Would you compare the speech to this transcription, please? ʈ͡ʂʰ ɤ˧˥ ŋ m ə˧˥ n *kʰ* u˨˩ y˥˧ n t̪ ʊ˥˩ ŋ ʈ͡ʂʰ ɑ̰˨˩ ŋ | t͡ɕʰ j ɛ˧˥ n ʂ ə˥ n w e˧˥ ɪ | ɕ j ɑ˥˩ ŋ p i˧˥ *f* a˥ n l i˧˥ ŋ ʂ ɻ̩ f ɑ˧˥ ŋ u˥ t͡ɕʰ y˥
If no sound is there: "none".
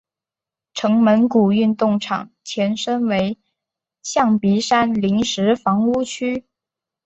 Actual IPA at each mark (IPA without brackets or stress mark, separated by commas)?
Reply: k, ʂ